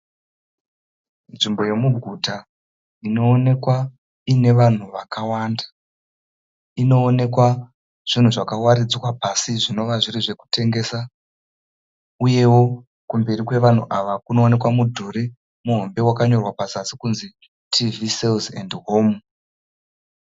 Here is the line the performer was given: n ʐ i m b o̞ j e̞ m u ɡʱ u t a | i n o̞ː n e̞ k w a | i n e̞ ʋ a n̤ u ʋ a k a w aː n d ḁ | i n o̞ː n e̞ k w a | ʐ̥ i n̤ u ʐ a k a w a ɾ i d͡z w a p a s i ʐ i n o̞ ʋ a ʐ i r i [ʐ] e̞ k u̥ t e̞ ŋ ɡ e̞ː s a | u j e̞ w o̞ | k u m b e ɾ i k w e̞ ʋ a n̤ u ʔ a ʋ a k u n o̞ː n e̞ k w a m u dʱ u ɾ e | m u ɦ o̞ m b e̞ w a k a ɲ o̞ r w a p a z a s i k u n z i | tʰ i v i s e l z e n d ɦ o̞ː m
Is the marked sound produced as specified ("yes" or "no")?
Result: yes